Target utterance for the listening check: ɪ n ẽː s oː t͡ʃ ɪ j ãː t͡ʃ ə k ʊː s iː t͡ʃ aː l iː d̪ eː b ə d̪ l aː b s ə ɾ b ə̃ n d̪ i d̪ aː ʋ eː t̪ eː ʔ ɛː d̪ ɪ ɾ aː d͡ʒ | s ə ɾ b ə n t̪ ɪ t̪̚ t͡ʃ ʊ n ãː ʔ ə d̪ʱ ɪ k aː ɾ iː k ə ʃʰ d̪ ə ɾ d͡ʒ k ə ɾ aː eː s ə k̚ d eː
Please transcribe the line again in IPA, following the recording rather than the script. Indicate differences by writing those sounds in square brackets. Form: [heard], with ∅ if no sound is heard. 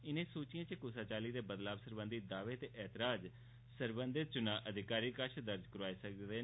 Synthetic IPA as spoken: ɪ n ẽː s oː t͡ʃ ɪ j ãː t͡ʃ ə k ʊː s [aː] t͡ʃ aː l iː d̪ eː b ə d̪ l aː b s ə ɾ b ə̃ n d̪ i d̪ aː ʋ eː t̪ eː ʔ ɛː [t̪] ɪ ɾ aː d͡ʒ | s ə ɾ b ə n [d̪] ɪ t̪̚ t͡ʃ ʊ n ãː ʔ ə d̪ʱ ɪ k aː ɾ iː k ə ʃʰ d̪ ə ɾ d͡ʒ k ə ɾ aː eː s ə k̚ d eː